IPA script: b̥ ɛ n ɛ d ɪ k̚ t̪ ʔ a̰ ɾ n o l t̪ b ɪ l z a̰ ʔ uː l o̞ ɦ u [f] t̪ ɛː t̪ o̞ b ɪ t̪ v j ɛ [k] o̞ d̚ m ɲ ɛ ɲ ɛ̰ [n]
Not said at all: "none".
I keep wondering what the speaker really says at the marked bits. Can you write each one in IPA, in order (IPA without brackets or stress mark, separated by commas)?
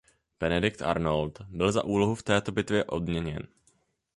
f, ʔ, n